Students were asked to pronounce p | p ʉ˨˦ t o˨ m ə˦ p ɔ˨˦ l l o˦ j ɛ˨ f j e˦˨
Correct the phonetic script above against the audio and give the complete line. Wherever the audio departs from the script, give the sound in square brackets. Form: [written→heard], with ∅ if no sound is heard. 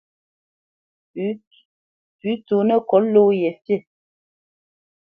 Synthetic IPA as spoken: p | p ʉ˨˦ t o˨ [m→n] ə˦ [p→k] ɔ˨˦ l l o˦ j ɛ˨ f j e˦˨